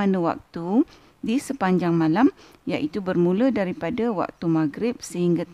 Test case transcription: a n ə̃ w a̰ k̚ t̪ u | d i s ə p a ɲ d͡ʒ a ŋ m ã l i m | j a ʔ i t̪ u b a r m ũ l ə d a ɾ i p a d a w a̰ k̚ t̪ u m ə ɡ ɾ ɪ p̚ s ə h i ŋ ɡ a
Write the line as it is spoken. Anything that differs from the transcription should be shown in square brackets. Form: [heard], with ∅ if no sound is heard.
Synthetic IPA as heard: a n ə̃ w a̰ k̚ t̪ u | d i s ə p a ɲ d͡ʒ a ŋ m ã l [a] m | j a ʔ i t̪ u b [ə] r m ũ l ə d a ɾ i p a d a w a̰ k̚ t̪ u m [a] ɡ ɾ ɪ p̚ s ə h i ŋ ɡ a